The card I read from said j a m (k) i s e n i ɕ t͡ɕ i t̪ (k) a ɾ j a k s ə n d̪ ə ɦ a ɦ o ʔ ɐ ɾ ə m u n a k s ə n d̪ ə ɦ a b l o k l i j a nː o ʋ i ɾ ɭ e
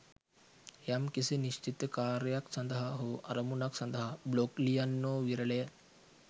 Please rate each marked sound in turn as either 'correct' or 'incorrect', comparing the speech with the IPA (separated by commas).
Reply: correct, correct